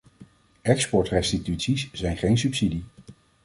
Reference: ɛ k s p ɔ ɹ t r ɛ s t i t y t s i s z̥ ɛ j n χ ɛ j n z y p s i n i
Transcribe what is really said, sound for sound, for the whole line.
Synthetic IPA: ɛ k s p ɔ ɹ t r ɛ s t i t y t s i s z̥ ɛ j n χ e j n s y p s i d i